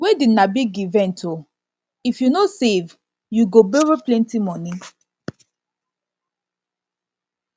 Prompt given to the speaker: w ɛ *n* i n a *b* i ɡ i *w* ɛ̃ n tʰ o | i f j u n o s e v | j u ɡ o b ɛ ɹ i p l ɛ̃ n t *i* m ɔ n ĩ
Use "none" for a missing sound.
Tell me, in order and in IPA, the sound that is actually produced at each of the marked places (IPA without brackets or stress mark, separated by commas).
d, b, v, i